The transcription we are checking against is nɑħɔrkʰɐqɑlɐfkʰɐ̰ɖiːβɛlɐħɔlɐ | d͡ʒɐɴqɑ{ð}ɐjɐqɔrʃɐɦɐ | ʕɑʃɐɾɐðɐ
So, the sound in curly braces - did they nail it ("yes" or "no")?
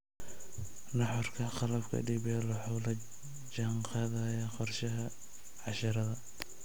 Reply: yes